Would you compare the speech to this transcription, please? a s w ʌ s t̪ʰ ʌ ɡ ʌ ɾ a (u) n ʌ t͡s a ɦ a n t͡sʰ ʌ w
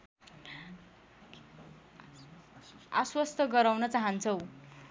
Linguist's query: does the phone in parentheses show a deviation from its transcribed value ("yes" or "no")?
yes